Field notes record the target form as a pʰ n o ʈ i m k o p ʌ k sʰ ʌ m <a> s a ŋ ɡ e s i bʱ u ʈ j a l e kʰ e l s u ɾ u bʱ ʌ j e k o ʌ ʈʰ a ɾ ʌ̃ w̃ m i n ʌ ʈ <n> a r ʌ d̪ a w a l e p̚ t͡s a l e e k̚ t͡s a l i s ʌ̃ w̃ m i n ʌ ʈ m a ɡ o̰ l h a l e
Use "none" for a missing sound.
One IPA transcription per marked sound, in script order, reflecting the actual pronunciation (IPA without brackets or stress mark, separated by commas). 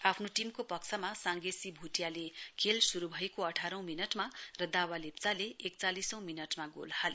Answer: a, m